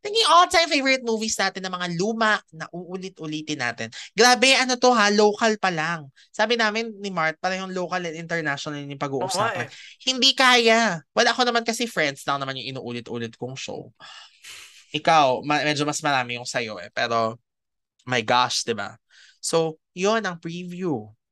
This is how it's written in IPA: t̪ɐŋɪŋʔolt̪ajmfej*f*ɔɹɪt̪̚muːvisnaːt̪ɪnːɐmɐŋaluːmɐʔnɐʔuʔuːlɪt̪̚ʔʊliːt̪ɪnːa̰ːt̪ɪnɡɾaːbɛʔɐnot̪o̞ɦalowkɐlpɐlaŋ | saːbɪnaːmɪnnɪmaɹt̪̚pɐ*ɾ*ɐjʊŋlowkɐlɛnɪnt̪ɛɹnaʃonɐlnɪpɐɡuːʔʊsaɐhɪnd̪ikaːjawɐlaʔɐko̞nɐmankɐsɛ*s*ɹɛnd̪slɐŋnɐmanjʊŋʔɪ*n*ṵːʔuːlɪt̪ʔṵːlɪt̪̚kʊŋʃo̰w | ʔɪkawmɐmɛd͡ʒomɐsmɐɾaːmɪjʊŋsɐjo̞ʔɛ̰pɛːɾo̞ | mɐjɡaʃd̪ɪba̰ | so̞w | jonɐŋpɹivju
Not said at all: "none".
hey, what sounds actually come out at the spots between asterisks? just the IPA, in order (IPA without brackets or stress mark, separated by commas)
v, ɾ, f, n